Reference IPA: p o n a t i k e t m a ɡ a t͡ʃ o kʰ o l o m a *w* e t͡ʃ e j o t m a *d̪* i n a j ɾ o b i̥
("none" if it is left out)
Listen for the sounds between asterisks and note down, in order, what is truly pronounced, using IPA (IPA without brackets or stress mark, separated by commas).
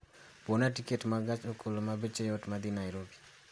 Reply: b, d̪